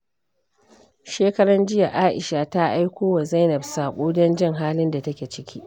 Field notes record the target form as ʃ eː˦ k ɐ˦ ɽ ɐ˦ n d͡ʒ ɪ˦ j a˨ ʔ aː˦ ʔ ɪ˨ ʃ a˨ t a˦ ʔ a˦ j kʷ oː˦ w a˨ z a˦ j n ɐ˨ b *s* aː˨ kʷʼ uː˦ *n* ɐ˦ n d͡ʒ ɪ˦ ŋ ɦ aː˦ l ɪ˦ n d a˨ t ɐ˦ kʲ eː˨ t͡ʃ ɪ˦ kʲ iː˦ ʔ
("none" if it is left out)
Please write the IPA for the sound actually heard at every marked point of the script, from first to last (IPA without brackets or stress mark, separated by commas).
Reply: s, d